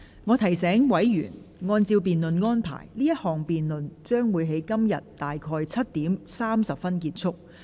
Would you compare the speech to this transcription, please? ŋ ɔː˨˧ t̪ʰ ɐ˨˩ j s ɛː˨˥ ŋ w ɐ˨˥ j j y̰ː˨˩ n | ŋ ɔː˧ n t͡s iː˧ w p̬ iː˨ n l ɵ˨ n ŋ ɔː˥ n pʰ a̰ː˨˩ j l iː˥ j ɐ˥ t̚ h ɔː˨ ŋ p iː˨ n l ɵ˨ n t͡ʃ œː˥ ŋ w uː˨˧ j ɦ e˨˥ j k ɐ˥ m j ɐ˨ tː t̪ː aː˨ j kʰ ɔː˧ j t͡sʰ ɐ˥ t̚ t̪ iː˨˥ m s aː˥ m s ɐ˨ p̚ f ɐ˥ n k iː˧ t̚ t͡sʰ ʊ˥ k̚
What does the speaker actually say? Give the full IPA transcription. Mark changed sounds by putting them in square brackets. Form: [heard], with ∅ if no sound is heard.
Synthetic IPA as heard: ŋ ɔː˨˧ t̪ʰ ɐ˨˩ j s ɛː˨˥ ŋ w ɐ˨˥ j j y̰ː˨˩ n | ŋ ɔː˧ n t͡s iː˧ w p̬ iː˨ n l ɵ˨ n ŋ ɔː˥ n pʰ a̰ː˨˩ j l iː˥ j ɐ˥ t̚ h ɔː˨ ŋ p iː˨ n l ɵ˨ n t͡ʃ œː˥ ŋ w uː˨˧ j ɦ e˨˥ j k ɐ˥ m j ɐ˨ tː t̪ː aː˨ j kʰ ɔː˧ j t͡sʰ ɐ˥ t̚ t̪ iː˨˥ m s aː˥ m s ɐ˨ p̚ f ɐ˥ n k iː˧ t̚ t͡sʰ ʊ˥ k̚